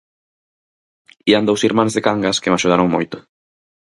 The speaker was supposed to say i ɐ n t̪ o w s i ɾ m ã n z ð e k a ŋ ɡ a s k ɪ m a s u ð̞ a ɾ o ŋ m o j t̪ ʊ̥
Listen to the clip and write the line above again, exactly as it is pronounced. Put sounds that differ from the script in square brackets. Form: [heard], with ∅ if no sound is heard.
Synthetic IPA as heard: i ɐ n [d̪] o w s i ɾ m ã n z ð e k a ŋ ɡ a s k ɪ m a [ʃ] u ð̞ a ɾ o ŋ m o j t̪ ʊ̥